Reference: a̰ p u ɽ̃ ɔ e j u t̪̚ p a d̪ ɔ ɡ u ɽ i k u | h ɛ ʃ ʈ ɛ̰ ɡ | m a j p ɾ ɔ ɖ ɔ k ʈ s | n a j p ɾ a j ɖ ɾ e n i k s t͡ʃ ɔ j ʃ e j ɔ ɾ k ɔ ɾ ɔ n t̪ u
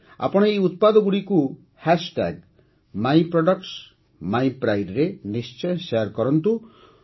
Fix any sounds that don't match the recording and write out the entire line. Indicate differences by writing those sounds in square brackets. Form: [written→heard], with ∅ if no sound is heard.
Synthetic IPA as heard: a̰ p [u→ɔ] ɽ̃ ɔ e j u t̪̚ p a d̪ ɔ ɡ u ɽ i k u | h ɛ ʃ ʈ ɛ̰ ɡ | m a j p ɾ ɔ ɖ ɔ k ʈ s | [n→m] a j p ɾ a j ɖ ɾ e n i [k→∅] s t͡ʃ ɔ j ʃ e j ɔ ɾ k ɔ ɾ ɔ n t̪ u